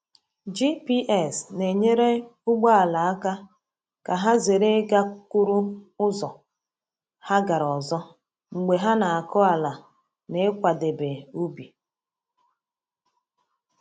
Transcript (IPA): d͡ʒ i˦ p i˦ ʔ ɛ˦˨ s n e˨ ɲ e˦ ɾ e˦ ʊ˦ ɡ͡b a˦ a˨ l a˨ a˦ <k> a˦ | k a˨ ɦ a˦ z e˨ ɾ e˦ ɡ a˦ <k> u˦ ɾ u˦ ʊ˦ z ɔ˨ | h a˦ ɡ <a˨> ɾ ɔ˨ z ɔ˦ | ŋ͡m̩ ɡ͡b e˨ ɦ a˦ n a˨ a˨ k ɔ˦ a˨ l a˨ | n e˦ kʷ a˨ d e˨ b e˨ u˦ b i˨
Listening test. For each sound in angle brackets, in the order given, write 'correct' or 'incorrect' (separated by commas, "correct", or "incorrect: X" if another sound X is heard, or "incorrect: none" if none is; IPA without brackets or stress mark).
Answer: correct, correct, correct